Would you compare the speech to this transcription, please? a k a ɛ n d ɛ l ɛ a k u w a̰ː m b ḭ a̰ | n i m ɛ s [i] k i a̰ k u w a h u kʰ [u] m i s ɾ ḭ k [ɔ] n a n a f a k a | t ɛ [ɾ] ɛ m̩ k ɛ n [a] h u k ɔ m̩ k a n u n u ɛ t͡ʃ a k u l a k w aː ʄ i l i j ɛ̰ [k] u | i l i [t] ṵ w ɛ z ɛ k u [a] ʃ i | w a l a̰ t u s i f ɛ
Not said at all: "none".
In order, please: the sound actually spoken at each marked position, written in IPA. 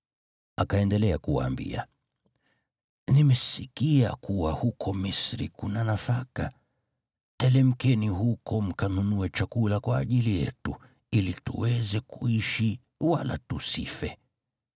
i, ɔ, u, l, i, t, t, i

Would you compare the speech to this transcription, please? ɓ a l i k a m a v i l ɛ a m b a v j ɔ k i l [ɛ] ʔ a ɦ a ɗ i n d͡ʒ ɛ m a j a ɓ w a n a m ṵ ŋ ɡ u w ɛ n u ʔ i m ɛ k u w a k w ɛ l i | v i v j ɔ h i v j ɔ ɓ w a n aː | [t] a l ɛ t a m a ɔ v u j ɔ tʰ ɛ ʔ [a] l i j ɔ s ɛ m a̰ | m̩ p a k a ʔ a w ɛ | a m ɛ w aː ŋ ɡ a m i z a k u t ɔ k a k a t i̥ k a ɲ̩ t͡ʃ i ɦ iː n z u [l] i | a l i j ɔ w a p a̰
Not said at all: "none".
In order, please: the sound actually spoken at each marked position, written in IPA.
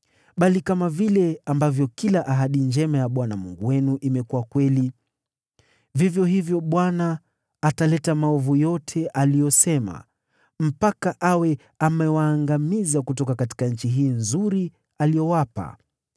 a, t, a, ɾ

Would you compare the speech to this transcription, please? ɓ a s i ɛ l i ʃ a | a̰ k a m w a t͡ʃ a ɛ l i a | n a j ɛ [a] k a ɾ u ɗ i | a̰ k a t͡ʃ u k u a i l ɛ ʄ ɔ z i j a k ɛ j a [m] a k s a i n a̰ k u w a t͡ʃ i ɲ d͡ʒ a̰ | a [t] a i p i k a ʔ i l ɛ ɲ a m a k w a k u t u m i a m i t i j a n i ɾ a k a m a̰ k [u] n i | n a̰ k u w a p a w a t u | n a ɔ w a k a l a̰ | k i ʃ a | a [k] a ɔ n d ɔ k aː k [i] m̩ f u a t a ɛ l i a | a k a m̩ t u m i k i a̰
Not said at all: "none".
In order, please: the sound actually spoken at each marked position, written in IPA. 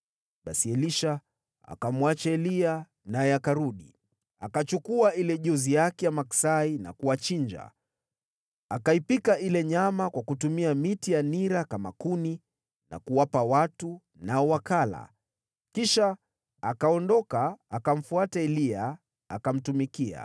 a, m, k, u, k, a

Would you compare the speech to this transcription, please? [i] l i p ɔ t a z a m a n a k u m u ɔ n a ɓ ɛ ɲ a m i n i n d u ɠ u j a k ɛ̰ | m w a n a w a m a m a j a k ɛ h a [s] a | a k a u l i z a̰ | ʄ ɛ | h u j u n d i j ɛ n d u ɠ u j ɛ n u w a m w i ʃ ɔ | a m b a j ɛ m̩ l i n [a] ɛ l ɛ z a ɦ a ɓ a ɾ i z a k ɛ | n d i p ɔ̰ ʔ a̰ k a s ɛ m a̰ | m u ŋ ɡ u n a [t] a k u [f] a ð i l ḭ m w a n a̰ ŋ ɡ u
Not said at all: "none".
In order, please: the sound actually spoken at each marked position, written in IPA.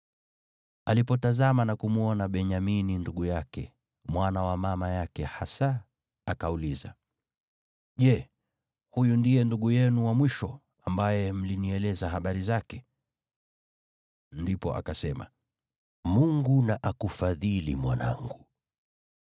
a, s, i, ʔ, f

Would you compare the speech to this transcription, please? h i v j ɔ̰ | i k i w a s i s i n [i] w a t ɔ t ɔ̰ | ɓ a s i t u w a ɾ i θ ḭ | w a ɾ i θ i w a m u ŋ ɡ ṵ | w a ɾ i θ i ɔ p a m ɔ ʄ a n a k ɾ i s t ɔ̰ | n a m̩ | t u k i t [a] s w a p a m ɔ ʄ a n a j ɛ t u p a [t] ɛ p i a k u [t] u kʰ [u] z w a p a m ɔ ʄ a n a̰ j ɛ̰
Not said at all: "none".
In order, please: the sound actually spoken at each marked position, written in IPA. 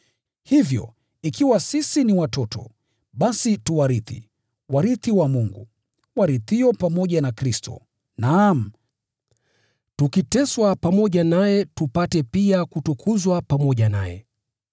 i, ɛ, t, t, u

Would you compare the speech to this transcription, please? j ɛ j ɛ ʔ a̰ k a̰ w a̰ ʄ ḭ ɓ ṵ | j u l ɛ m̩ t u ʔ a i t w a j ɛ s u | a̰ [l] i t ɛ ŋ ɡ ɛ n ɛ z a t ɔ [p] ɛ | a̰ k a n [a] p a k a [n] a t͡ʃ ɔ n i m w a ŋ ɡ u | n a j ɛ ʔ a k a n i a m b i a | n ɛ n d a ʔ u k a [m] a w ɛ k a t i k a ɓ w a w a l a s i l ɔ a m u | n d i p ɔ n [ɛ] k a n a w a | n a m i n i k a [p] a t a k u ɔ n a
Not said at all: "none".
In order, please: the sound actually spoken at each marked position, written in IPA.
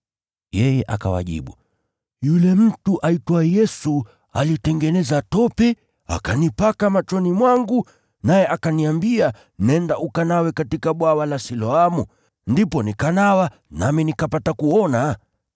l, p, i, m, n, i, p

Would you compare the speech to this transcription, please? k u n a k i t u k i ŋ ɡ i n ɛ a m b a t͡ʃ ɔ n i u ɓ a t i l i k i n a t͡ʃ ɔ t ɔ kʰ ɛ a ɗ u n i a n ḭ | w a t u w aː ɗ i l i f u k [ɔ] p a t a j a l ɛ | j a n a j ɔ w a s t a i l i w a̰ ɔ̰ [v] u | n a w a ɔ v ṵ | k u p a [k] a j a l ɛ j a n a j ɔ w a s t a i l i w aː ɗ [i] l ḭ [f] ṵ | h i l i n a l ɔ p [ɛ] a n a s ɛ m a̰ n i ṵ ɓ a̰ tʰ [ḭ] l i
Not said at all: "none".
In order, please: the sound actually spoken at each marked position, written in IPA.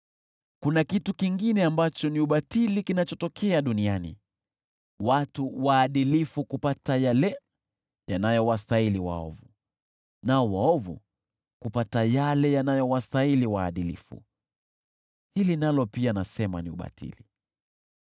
u, v, t, i, f, i, ḭ

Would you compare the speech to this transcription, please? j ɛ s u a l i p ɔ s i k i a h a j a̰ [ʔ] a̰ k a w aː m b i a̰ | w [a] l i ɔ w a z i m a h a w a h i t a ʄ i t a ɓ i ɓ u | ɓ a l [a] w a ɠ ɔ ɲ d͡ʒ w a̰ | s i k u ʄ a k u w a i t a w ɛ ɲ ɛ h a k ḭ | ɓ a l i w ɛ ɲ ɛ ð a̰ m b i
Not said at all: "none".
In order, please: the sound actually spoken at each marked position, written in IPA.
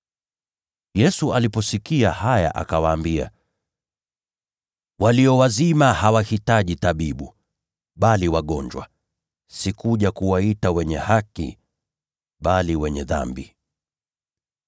ʔ, a, i

